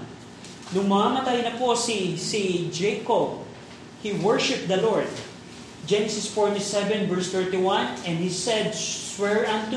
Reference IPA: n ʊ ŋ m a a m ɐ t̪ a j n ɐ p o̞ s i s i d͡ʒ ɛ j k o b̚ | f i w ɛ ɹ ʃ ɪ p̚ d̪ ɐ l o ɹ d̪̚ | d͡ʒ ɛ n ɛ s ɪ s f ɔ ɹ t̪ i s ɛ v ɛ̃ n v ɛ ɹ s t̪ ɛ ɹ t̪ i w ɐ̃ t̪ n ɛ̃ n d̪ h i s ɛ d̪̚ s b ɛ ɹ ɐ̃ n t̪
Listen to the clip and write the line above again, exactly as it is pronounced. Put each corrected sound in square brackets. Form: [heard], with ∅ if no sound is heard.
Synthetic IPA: n ʊ ŋ m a a m ɐ t̪ a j n ɐ p o̞ s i s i d͡ʒ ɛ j k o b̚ | [h] i w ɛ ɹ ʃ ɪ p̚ d̪ ɐ l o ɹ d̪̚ | d͡ʒ ɛ n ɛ s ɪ s f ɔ ɹ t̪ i s ɛ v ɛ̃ n v ɛ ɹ s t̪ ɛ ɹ t̪ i w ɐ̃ [∅] n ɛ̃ n d̪ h i s ɛ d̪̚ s [w] ɛ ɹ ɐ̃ n t̪